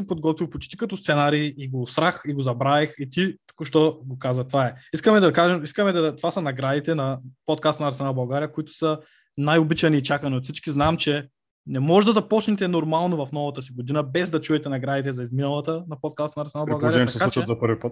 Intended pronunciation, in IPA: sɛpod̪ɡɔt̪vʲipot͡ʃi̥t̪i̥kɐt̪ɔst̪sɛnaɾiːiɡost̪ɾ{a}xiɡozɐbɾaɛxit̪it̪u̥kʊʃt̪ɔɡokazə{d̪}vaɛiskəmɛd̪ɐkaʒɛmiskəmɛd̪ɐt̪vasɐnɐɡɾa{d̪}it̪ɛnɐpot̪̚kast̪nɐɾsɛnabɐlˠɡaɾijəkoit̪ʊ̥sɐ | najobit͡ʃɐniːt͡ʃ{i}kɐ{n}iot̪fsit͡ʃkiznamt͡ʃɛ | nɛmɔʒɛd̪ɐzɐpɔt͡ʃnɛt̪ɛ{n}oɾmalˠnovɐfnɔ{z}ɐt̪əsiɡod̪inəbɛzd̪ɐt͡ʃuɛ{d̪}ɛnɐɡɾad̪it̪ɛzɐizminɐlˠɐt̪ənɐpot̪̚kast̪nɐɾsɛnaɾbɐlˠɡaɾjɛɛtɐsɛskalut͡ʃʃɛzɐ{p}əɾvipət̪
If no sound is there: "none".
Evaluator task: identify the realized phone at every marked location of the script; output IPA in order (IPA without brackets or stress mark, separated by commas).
a, t̪, d̪, a, n, n, v, t̪, p